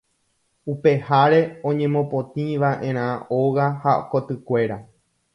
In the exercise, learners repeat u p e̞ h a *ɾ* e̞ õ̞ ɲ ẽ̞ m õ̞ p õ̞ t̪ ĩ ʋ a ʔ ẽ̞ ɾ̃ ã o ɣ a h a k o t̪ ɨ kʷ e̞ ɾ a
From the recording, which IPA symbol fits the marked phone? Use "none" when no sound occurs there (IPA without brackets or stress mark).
ɾ